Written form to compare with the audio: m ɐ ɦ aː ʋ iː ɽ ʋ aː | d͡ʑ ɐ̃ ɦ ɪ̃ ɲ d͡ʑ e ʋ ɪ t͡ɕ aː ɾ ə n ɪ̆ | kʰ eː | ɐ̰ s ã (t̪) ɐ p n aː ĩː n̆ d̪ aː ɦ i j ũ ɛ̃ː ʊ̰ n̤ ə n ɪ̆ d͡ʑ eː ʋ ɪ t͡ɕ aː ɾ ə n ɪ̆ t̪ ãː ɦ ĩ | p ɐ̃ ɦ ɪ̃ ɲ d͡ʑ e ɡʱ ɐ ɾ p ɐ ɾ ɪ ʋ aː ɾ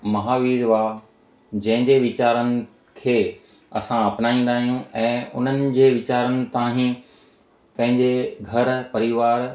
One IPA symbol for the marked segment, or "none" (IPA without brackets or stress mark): none